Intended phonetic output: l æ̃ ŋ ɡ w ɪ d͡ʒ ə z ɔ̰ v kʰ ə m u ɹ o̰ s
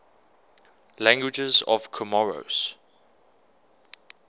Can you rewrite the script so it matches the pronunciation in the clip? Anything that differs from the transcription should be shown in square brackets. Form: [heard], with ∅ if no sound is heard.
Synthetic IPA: l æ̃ ŋ ɡ w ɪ d͡ʒ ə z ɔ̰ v kʰ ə m [ɔ] ɹ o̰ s